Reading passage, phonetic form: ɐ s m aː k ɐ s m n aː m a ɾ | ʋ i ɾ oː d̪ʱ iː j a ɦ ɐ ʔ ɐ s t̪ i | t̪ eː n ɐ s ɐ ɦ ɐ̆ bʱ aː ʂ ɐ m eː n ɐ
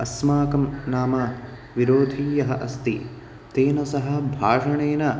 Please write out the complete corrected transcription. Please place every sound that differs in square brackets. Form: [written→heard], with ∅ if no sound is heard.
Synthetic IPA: ɐ s m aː k ɐ [s→∅] m n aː m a [ɾ→∅] | ʋ i ɾ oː d̪ʱ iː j [a→ɐ] ɦ ɐ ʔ ɐ s t̪ i | t̪ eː n ɐ s ɐ ɦ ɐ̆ bʱ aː ʂ ɐ [m→ɳ] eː n ɐ